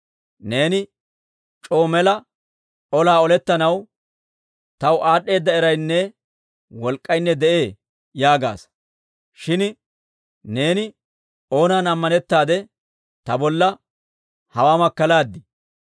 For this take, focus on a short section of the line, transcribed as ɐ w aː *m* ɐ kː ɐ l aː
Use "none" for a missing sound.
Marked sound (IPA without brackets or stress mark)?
m